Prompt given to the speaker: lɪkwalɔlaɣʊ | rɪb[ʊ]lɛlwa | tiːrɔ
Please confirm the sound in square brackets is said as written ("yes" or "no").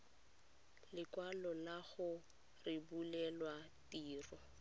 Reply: no